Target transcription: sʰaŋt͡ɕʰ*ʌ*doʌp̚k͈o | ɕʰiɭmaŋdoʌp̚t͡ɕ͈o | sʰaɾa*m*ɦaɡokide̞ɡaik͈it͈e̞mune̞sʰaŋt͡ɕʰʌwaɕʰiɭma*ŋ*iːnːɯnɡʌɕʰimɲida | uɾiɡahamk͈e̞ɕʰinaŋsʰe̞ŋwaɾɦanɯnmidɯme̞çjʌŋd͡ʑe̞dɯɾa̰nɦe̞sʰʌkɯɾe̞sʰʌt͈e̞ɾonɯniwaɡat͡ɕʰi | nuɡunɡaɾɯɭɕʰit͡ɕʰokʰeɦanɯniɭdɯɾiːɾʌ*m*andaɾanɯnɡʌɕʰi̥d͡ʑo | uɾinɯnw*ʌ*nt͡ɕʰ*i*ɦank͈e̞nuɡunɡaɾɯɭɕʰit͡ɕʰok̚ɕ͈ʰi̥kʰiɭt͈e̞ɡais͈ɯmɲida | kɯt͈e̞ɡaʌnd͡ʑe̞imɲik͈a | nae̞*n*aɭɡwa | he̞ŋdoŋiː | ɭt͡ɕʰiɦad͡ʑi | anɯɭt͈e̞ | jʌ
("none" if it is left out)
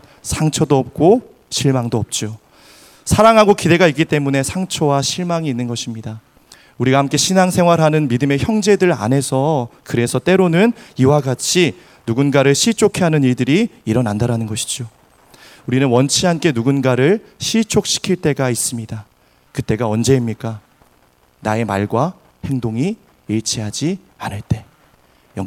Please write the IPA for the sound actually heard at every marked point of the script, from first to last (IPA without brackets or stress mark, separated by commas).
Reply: ʌ, ŋ, ŋ, n, ʌ, i, m